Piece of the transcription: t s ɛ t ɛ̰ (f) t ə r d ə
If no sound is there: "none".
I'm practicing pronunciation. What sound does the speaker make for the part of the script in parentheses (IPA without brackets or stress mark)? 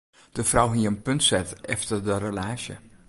f